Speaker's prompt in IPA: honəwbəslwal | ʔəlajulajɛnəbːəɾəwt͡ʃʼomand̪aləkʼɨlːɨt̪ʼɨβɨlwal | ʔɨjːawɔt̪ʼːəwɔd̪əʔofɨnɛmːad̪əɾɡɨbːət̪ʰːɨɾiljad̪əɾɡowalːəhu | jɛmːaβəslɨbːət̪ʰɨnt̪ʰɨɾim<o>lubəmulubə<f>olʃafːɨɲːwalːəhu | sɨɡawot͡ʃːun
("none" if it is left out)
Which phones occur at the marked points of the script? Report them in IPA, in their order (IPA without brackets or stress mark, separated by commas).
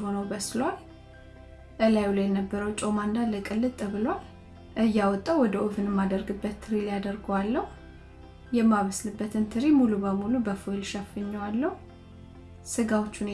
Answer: u, f